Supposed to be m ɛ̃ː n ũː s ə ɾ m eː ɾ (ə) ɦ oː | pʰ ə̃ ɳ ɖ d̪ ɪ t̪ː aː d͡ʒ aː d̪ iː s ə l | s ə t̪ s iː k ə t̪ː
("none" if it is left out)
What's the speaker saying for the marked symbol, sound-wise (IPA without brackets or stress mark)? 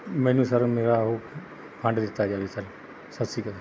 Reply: a